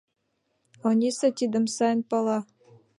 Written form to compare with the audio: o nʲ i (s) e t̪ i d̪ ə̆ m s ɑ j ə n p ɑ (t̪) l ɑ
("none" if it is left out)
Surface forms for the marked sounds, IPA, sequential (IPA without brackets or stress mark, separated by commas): s, none